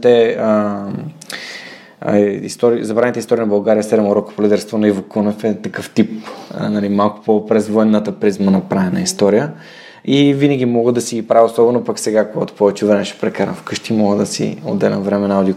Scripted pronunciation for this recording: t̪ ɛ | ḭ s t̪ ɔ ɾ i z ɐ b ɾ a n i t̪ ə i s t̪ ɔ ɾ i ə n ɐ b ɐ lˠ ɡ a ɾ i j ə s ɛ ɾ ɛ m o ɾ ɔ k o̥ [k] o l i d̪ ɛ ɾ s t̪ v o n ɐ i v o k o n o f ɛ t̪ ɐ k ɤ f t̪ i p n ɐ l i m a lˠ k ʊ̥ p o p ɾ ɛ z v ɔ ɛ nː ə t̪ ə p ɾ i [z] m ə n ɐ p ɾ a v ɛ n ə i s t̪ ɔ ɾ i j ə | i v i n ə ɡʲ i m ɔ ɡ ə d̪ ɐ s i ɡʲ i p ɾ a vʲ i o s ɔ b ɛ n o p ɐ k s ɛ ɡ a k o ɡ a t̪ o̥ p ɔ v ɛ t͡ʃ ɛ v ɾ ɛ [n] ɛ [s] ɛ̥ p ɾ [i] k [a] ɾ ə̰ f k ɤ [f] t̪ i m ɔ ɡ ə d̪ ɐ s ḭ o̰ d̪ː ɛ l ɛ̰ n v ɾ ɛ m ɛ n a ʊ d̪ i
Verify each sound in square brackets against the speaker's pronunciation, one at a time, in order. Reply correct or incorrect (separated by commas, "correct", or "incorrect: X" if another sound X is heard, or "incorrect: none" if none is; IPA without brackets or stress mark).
incorrect: p, correct, incorrect: m, incorrect: ʃ, incorrect: ɛ, correct, incorrect: ʃ